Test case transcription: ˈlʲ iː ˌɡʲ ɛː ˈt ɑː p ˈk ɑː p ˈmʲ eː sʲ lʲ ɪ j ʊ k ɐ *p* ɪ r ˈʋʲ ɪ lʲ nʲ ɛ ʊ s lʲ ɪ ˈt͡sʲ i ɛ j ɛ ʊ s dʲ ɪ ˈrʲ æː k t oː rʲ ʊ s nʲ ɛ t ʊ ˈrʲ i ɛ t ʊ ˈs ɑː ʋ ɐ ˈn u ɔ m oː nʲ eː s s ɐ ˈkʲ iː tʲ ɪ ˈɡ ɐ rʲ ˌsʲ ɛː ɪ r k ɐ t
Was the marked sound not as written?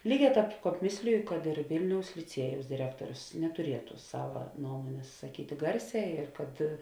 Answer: yes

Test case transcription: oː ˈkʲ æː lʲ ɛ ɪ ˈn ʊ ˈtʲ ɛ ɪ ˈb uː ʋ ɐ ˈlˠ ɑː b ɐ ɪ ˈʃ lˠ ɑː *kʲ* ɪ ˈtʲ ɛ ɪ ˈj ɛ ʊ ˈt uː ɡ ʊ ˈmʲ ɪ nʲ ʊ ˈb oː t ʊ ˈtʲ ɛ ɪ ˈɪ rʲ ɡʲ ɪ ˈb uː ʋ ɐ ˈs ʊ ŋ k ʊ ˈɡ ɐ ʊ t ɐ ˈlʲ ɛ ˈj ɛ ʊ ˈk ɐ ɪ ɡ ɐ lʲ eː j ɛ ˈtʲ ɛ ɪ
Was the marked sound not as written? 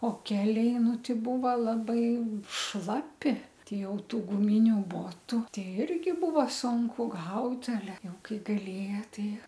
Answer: yes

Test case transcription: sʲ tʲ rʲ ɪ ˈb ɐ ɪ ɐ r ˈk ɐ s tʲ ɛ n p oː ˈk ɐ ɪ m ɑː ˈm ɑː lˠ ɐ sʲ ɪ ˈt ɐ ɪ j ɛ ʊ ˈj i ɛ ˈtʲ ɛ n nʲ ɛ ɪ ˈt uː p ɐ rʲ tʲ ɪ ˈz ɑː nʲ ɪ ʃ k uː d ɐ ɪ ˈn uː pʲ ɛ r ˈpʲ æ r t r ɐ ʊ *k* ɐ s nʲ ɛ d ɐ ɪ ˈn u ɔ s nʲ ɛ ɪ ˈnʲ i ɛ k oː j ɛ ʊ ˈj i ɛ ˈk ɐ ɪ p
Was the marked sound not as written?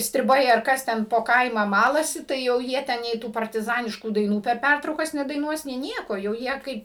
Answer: no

